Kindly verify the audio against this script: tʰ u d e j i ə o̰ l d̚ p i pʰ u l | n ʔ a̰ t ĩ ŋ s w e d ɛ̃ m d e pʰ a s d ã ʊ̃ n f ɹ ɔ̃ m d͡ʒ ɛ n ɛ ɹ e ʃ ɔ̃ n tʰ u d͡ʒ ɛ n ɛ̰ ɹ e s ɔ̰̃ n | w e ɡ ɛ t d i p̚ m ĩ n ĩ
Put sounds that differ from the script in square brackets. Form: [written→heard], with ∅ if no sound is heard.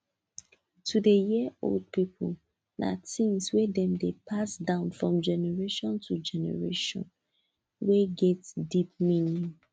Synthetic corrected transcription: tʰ u d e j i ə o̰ l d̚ p i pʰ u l | n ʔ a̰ t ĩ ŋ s w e d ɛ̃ m d e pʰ a s d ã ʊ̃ n f ɹ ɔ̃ m d͡ʒ ɛ n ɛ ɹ e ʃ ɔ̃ n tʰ u d͡ʒ ɛ n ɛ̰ ɹ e [s→ʃ] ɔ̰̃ n | w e ɡ ɛ t d i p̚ m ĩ n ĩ